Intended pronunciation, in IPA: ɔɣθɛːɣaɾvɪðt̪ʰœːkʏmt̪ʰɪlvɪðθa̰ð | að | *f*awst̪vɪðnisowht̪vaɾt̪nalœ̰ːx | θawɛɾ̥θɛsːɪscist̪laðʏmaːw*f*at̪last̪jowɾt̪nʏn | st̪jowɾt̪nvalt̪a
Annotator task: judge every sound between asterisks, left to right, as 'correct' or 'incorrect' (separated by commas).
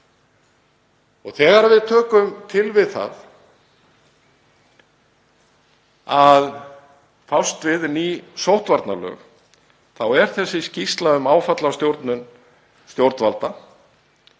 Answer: correct, correct